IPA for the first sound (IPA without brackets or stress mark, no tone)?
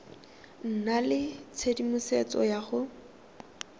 n̩